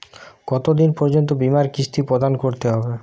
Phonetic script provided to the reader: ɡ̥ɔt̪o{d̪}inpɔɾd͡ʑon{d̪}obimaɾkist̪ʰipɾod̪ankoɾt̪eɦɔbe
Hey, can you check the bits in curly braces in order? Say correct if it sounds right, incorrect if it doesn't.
correct, incorrect: t̪

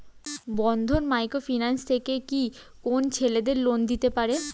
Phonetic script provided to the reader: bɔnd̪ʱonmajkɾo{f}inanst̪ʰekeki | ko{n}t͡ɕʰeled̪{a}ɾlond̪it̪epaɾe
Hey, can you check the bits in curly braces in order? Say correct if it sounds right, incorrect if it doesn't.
correct, correct, incorrect: e

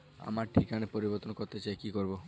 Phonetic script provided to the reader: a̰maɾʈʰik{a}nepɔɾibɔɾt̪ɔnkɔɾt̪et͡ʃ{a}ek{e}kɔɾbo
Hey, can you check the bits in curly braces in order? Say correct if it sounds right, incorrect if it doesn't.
correct, correct, incorrect: i

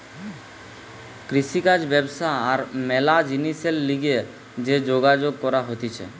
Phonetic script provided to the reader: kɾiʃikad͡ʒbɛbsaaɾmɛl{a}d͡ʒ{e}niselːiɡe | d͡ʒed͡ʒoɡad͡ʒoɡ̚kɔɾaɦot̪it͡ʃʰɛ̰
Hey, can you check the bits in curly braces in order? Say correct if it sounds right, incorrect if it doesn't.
correct, incorrect: i

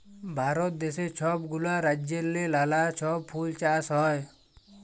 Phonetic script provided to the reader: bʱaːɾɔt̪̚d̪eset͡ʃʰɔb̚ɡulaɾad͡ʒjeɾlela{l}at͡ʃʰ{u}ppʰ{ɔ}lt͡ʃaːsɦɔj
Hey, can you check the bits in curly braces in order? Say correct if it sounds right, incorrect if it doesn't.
correct, incorrect: ɔ, incorrect: u

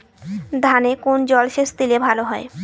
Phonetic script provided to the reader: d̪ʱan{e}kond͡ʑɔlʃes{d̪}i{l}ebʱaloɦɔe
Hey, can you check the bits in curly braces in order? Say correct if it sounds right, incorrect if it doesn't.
correct, incorrect: t̪, correct

